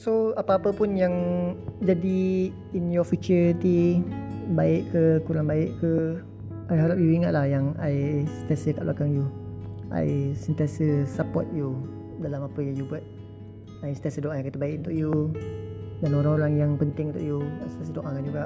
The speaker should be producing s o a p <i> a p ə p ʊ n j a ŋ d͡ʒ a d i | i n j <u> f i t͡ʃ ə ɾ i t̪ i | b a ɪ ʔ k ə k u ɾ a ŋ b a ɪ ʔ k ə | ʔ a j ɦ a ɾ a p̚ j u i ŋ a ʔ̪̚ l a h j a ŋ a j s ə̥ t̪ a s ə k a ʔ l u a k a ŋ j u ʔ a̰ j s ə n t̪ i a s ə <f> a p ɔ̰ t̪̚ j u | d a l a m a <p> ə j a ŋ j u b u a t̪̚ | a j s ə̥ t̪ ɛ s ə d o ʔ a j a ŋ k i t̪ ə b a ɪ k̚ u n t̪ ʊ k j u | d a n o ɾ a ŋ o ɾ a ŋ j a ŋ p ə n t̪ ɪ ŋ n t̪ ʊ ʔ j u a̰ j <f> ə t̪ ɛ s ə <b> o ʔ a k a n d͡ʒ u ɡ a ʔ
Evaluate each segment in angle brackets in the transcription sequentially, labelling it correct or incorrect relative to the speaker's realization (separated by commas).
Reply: incorrect, incorrect, incorrect, correct, incorrect, incorrect